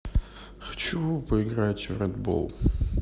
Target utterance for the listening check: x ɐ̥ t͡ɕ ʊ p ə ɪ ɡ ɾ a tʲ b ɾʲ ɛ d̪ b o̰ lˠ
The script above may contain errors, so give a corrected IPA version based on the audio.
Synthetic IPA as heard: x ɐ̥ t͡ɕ u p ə ɪ ɡ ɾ a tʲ v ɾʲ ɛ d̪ b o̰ lˠ